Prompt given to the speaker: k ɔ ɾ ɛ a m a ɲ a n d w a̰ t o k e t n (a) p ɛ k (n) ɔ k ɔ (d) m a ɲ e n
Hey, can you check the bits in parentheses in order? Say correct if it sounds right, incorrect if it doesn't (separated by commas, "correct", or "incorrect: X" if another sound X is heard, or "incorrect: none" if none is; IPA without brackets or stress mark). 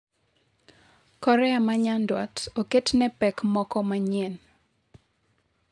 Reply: incorrect: ɛ, incorrect: m, incorrect: none